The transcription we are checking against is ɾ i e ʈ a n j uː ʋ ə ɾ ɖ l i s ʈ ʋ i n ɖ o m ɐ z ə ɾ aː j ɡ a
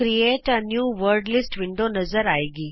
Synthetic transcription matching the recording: ɾ i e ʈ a n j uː ʋ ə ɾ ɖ l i s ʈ ʋ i ɳ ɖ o n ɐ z ə ɾ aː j ɡ i

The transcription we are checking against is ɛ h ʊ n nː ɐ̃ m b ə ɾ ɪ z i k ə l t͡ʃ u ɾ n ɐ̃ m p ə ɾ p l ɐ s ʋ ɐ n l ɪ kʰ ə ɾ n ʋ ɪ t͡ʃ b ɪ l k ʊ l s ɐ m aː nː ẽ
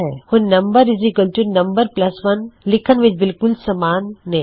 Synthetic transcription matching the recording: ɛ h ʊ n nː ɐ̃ m b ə ɾ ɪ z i k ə l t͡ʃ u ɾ n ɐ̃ m b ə ɾ p l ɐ s ʋ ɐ n l ɪ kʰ ə n ʋ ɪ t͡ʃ b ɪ l k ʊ l s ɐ m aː nː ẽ

